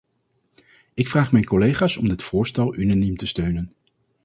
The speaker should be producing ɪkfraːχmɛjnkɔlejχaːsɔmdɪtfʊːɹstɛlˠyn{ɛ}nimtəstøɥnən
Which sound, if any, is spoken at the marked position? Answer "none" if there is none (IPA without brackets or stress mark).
a